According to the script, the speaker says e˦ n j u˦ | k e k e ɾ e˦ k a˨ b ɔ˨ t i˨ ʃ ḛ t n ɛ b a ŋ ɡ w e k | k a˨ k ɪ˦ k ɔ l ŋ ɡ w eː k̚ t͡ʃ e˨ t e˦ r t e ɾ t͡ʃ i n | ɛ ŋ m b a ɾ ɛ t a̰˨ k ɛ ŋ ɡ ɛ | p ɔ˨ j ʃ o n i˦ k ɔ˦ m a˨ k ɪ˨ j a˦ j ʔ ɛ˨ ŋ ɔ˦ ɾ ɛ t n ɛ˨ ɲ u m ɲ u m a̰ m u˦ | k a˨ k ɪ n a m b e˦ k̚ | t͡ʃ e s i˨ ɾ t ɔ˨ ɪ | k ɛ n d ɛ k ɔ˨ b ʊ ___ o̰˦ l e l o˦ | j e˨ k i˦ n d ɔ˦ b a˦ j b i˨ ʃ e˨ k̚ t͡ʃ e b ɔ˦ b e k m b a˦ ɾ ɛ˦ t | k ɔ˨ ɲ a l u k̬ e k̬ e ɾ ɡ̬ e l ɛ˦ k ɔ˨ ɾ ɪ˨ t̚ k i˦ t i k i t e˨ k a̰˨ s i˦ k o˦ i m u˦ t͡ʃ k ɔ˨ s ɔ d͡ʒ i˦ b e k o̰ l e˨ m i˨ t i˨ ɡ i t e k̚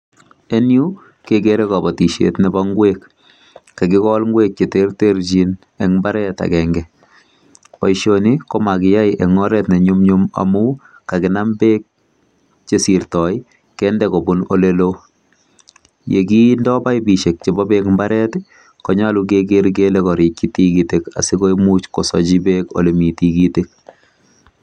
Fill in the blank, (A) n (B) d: A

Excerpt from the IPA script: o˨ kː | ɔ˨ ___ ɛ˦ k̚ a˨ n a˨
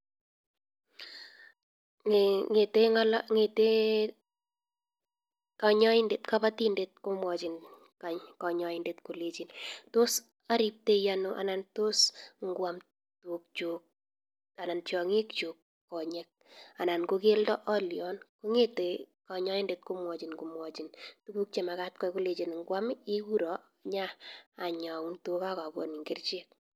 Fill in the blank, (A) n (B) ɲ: B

